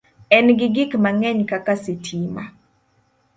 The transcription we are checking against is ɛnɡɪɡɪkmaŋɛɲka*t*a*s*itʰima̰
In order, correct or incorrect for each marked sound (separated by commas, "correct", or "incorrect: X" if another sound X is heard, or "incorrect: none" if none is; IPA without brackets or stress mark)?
incorrect: k, correct